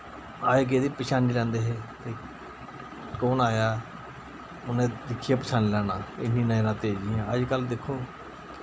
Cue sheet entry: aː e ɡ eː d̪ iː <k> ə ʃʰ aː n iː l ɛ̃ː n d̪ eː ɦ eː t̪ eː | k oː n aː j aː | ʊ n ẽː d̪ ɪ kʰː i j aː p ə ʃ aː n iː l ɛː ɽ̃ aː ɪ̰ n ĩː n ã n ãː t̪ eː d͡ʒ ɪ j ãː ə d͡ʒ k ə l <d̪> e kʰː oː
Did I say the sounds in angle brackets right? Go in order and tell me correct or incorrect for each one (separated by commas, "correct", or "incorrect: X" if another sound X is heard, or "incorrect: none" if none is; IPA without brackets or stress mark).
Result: incorrect: p, correct